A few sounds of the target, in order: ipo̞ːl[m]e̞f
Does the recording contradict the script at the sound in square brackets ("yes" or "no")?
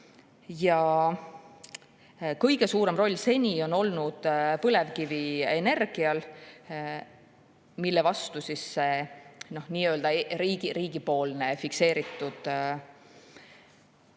yes